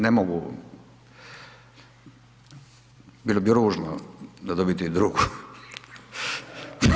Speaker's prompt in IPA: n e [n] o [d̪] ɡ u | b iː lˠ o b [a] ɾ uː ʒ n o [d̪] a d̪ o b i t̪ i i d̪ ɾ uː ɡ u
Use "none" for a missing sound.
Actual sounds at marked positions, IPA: m, none, i, d̪

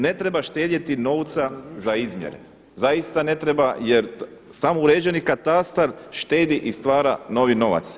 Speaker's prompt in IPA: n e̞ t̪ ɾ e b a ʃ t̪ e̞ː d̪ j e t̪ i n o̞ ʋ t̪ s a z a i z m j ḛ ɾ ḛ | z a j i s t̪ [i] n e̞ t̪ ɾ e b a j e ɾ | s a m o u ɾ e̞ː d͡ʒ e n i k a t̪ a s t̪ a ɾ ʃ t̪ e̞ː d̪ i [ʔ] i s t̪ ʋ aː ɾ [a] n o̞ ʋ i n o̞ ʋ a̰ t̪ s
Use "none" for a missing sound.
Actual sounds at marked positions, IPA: a, ʔ, a

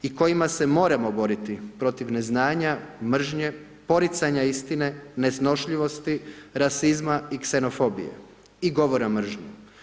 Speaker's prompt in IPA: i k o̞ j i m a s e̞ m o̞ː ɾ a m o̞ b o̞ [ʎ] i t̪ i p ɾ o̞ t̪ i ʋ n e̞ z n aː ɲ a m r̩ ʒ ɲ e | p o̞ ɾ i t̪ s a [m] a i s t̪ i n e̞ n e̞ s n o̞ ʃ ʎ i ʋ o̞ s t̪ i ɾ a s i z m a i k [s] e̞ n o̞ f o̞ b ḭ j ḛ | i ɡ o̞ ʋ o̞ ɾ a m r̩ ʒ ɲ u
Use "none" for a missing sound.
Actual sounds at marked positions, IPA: ɾ, ɲ, s

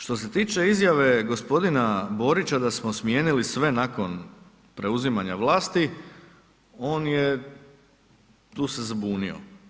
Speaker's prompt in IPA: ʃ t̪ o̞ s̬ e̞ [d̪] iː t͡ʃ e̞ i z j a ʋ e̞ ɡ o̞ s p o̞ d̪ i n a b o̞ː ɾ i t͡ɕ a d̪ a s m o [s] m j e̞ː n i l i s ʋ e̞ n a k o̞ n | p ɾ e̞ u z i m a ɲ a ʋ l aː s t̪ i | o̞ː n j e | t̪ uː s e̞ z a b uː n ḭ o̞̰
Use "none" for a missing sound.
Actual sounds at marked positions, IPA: t̪, s

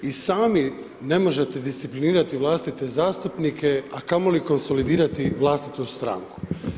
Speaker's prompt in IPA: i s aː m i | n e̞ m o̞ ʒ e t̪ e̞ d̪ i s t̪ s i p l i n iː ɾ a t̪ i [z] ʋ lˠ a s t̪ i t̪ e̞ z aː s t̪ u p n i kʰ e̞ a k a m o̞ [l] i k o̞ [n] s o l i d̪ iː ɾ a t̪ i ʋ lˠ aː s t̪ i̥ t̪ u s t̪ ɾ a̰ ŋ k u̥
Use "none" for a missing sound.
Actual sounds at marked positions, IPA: none, l, n

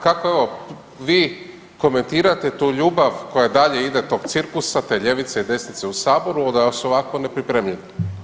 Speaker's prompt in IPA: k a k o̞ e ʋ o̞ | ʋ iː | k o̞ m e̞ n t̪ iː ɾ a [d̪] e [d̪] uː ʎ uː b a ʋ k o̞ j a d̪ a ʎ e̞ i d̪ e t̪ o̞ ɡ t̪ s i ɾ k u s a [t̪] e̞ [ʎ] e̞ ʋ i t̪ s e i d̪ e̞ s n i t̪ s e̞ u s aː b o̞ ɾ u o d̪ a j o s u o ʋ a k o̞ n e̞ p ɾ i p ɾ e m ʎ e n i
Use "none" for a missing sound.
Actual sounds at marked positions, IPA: t̪, t̪, t̪, ʎ

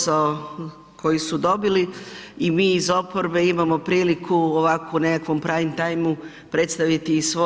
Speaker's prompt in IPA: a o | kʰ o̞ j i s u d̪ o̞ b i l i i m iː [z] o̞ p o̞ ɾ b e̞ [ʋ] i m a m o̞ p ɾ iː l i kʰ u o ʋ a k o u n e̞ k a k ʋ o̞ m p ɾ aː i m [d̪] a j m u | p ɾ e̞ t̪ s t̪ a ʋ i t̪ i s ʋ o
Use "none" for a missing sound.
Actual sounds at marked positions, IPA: z, none, t̪

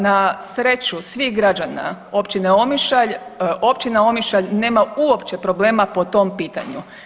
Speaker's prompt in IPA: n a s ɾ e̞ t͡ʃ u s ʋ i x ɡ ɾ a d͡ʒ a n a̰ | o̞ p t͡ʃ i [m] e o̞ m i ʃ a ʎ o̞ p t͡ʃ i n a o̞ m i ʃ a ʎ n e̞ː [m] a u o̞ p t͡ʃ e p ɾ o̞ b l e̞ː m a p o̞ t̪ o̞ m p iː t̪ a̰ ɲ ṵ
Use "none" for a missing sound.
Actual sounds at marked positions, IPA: n, m

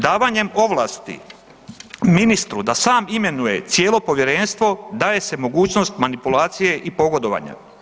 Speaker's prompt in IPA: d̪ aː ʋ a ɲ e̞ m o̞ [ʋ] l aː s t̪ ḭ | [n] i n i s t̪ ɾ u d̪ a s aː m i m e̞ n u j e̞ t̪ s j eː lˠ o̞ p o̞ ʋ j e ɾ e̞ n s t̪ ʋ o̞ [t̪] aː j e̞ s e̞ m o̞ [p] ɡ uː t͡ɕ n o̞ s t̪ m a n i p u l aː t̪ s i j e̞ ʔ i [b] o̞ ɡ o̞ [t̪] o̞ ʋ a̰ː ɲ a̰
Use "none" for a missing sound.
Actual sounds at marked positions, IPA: ʋ, m, d̪, none, p, d̪

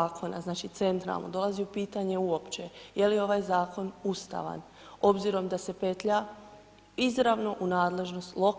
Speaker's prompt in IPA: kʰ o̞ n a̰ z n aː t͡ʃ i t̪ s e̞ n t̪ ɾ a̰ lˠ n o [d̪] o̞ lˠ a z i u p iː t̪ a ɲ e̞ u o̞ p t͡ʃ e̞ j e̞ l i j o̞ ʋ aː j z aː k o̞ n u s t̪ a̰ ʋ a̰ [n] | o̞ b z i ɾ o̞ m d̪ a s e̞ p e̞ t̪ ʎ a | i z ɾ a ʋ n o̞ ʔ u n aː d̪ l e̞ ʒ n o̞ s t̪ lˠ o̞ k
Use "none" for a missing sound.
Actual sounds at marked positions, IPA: d̪, n

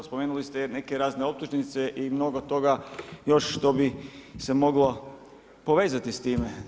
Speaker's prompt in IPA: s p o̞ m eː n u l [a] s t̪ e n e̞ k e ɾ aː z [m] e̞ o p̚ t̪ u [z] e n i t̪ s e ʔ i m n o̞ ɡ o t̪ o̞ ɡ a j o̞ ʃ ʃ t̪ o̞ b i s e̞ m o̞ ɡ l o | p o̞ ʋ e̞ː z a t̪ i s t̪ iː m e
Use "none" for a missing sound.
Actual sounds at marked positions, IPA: i, n, ʒ

